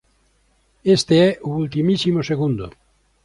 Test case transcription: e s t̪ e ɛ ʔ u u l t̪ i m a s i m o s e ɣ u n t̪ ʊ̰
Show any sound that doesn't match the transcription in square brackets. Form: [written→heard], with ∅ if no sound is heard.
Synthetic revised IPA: e s t̪ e ɛ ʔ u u l t̪ i m [a→i] s i m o s e ɣ u n [t̪→d̪] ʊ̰